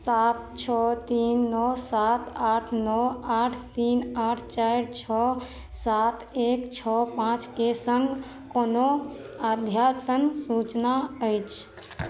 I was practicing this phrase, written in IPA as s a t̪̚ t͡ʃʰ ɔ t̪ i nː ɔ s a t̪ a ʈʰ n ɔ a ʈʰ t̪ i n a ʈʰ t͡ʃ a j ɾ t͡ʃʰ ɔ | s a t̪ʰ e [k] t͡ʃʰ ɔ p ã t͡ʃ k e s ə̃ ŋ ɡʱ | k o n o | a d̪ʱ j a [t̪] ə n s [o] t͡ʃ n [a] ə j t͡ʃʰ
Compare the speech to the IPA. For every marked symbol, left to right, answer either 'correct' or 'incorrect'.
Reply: correct, correct, incorrect, correct

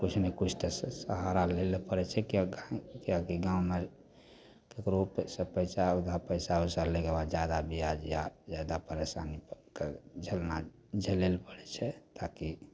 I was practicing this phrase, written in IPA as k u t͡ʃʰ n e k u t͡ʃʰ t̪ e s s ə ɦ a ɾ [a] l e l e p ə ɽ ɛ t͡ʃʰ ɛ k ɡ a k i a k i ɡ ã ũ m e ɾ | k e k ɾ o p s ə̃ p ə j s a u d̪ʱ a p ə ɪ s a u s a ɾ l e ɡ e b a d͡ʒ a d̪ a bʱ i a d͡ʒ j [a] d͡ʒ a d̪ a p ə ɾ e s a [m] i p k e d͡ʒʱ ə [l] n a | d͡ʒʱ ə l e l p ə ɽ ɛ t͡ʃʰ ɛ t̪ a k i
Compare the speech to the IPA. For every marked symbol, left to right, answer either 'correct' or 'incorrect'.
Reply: correct, correct, incorrect, correct

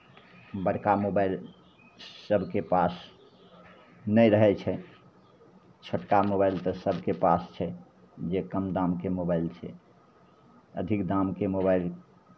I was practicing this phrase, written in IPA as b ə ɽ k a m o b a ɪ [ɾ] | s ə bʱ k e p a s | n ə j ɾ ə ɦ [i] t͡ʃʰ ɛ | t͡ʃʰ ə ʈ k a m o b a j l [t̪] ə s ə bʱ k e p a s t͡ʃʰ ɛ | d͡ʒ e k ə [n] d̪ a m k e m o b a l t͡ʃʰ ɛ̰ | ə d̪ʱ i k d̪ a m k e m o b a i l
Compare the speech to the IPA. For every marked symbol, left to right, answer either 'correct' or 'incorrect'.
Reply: incorrect, incorrect, correct, incorrect

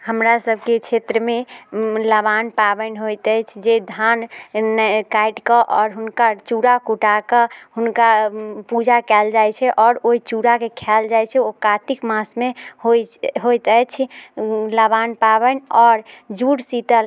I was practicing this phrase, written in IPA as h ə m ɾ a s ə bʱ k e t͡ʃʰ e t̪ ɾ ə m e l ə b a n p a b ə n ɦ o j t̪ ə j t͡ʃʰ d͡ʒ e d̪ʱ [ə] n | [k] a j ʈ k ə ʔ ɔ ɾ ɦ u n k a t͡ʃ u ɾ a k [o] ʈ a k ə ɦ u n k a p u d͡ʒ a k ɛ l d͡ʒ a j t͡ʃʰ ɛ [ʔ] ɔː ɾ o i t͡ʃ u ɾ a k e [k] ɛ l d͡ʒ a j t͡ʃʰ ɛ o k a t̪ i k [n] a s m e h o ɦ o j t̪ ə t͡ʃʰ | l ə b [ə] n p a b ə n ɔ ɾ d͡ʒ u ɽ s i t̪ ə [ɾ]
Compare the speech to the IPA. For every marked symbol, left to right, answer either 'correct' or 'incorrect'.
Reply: incorrect, correct, incorrect, correct, incorrect, incorrect, incorrect, incorrect

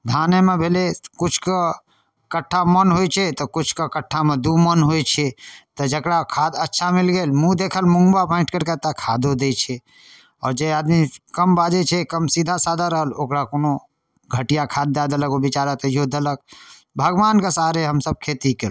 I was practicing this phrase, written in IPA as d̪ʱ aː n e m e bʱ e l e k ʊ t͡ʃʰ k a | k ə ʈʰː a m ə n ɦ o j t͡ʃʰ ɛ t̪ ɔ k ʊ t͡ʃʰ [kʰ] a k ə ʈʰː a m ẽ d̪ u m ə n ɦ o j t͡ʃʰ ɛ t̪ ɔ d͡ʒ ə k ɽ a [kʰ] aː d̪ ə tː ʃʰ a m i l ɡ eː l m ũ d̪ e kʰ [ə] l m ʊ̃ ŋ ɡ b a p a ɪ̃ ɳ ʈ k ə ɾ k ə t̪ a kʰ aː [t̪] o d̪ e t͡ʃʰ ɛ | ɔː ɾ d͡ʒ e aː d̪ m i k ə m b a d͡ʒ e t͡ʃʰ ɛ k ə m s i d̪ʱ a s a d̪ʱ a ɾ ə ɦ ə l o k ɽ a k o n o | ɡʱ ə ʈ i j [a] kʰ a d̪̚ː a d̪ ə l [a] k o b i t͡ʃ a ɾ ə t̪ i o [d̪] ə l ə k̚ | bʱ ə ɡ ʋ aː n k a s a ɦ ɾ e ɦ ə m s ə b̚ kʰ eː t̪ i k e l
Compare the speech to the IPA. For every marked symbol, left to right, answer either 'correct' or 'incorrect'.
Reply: incorrect, correct, correct, incorrect, correct, incorrect, correct

